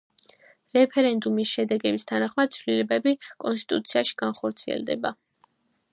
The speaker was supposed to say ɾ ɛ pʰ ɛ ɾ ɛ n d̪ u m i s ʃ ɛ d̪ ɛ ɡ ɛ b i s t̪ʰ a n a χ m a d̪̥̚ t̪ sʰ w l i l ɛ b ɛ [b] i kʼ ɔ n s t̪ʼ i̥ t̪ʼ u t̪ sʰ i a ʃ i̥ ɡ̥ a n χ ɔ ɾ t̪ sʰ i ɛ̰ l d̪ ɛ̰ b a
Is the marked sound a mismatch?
no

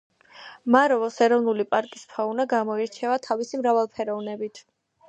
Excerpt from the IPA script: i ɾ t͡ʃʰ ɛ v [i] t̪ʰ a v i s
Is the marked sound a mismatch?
yes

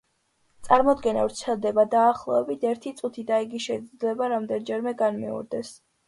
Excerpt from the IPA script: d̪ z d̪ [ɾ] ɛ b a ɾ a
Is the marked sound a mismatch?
yes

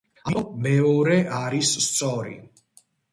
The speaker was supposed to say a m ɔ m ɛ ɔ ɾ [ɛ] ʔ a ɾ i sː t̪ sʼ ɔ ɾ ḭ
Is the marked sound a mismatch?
no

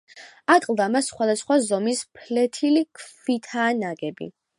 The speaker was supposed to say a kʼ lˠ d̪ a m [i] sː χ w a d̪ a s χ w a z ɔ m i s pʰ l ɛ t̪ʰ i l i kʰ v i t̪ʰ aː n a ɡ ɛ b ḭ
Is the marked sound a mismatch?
yes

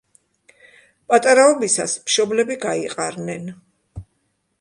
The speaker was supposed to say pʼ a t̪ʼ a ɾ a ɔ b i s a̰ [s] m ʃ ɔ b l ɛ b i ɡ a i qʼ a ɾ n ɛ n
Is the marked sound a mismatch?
no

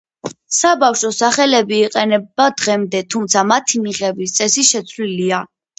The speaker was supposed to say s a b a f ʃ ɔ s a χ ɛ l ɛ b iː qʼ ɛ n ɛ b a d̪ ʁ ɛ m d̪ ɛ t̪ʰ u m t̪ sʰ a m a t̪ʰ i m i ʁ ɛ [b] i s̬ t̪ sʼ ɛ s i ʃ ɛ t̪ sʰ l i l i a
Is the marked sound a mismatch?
no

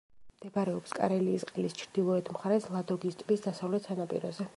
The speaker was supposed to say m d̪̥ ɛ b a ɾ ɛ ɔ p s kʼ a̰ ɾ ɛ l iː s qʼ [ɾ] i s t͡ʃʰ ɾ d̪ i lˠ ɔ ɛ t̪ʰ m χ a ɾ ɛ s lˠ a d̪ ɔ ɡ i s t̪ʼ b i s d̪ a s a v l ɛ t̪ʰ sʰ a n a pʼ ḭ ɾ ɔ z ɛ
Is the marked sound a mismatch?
yes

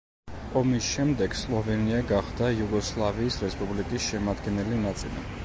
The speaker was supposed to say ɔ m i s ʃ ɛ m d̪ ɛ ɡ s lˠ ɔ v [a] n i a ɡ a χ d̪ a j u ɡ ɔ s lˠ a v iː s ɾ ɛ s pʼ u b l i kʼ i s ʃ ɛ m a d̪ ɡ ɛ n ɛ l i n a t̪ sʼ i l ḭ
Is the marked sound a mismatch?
yes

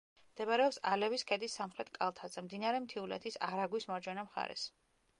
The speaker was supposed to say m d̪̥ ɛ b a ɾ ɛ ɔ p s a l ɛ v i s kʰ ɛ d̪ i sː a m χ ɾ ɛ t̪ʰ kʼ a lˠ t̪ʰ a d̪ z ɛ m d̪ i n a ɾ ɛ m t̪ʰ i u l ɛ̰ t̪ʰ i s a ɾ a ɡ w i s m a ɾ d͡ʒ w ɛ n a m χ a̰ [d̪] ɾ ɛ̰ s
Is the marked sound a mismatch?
yes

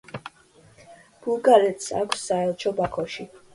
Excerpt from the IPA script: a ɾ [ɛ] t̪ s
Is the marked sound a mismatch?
no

